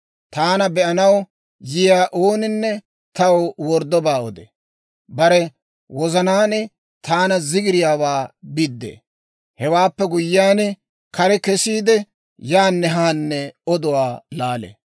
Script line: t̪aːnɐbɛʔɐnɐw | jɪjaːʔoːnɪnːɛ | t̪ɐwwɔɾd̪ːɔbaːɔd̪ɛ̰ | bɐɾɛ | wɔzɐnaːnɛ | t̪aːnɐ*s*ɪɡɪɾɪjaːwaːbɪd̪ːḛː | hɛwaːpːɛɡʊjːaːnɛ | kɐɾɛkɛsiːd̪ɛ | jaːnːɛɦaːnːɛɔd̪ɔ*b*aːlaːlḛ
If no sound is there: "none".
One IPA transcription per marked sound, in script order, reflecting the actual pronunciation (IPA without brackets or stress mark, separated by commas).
z, w